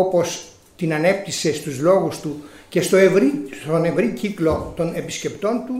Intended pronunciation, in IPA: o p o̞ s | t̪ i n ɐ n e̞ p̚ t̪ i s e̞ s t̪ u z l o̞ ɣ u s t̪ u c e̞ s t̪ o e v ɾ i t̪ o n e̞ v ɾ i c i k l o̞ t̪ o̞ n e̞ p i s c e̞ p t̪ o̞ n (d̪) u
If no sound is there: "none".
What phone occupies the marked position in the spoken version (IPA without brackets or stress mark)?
t̪